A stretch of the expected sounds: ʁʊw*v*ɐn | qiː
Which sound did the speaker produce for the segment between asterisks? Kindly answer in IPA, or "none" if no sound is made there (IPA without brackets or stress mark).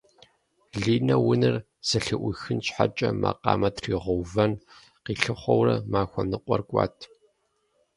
v